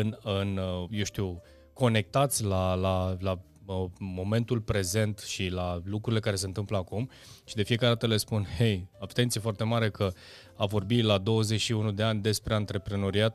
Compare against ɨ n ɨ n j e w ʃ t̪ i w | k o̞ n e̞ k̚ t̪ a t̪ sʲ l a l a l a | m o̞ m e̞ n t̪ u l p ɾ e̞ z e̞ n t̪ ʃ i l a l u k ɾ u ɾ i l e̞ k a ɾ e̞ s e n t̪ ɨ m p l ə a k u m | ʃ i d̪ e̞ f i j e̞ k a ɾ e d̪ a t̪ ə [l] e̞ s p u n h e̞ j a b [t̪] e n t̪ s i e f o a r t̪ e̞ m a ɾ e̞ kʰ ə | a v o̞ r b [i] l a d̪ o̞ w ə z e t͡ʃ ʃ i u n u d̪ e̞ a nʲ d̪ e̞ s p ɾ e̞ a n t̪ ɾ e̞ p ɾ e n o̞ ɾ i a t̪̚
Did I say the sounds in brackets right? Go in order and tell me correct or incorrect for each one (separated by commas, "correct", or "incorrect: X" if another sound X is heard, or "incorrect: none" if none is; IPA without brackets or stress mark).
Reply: correct, correct, correct